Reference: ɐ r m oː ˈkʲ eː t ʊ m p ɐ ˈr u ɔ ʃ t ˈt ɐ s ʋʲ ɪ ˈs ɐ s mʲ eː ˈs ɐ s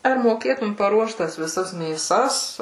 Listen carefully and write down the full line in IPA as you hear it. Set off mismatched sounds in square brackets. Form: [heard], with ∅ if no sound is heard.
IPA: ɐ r m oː ˈkʲ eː t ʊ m p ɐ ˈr u ɔ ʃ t ˈt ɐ s ʋʲ ɪ ˈs ɐ s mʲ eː ˈs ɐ s